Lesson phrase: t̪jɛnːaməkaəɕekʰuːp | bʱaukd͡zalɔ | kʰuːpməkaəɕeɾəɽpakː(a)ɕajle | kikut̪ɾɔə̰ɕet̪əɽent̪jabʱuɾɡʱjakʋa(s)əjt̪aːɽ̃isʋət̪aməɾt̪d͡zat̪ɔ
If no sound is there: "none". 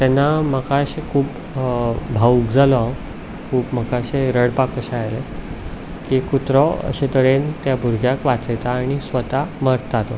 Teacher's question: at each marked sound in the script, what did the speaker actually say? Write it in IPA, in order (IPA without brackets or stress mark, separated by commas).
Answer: ə, t͡s